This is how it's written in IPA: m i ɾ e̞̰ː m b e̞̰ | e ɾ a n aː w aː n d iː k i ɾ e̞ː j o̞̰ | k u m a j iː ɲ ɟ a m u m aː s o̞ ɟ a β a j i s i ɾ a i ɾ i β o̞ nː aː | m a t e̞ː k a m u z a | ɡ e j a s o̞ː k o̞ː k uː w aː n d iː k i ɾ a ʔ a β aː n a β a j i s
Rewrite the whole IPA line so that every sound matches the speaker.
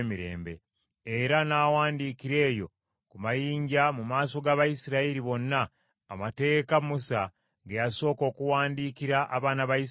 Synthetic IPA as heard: m i ɾ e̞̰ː m b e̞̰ | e ɾ a n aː w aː n d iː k i ɾ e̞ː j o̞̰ | k u m a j iː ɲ ɟ a m u m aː s o̞ ɡ a β a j i s i ɾ a i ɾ i β o̞ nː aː | m a t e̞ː k a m u s a | ɡ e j a s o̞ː k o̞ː k u w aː n d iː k i ɾ a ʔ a β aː n a β a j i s